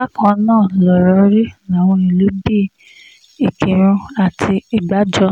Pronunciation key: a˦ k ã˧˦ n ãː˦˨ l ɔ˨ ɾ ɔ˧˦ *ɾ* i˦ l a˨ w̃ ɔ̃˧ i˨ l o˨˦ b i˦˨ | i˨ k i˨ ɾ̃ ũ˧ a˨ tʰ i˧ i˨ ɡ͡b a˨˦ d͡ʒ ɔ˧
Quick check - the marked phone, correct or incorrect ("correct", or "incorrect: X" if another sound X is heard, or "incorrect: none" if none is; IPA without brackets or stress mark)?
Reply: correct